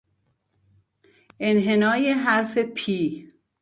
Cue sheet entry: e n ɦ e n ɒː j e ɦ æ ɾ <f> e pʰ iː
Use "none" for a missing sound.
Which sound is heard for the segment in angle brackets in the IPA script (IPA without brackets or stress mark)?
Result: f